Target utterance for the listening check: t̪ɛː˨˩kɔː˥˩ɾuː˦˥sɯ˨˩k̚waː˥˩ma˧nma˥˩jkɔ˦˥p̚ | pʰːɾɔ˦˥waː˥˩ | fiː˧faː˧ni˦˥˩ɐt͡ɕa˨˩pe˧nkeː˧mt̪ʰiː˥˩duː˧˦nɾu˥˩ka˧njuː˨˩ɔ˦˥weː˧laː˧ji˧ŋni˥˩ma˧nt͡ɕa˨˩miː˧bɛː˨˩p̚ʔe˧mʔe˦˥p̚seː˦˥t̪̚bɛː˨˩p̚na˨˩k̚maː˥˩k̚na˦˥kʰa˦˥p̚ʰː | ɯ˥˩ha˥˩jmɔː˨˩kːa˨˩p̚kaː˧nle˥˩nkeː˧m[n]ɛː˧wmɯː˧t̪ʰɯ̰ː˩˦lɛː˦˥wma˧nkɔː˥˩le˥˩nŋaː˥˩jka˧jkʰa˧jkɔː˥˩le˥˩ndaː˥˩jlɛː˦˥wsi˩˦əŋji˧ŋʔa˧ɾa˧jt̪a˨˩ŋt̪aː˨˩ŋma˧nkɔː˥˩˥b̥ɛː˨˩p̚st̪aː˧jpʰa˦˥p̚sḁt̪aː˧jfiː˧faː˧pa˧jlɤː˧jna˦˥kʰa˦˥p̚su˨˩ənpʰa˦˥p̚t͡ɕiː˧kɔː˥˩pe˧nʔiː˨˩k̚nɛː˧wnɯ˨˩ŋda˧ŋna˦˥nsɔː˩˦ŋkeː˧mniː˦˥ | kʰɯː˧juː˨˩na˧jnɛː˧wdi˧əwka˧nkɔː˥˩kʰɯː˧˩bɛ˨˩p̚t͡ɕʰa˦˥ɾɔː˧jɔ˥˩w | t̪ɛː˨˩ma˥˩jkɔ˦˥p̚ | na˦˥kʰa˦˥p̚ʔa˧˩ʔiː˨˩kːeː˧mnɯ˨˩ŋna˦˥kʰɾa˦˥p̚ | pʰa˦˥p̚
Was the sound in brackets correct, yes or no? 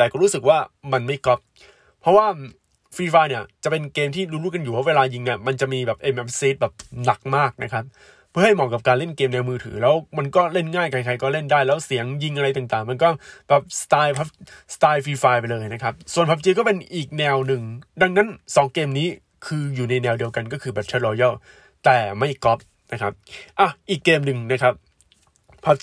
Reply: yes